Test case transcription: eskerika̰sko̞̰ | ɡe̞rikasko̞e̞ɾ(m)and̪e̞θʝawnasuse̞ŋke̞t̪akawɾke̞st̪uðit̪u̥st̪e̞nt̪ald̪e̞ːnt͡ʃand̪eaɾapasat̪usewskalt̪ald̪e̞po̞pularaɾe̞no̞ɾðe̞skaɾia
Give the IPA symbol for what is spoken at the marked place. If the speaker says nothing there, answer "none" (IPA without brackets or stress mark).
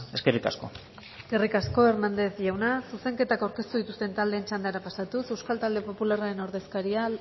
n